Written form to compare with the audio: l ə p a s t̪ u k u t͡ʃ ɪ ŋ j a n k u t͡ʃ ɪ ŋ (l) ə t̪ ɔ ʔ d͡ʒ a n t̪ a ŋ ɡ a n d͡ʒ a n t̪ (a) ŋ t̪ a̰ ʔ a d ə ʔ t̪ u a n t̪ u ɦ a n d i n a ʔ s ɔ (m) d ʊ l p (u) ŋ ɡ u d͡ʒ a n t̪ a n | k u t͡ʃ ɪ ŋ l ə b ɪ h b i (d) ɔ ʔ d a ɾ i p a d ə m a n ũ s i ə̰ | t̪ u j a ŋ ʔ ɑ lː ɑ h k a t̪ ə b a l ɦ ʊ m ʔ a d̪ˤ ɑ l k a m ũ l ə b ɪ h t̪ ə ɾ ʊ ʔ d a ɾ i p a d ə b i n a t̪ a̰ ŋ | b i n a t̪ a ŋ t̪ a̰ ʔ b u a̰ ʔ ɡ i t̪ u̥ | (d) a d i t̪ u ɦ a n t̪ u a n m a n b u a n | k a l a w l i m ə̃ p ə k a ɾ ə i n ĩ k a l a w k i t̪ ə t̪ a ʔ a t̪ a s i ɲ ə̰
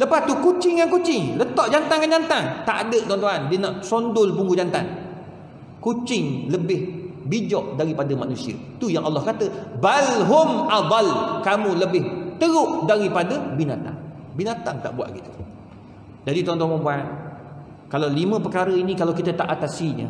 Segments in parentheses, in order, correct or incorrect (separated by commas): correct, correct, incorrect, correct, incorrect, incorrect